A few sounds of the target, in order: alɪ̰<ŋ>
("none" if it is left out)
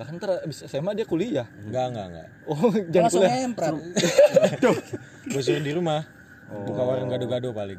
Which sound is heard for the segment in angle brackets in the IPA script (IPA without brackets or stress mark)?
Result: ŋ